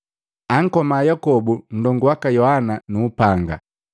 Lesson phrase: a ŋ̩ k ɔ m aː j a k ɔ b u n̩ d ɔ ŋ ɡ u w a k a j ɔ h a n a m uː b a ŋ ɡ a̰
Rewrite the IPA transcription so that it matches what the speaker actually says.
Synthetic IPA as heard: a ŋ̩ k ɔ m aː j a k ɔ b u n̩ d ɔ ŋ ɡ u w a k a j ɔ h a n a n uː p a ŋ ɡ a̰